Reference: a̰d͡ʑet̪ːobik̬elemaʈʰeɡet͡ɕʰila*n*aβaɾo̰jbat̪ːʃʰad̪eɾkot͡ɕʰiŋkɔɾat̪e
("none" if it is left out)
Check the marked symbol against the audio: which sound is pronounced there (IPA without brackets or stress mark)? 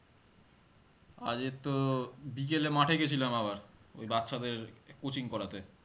m